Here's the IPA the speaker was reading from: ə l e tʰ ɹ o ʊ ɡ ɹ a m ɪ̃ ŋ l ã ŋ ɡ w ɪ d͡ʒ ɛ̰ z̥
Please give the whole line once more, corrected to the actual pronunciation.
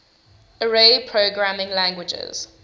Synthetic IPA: ə ɹ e pʰ ɹ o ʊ ɡ ɹ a m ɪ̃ ŋ l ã ŋ ɡ w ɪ d͡ʒ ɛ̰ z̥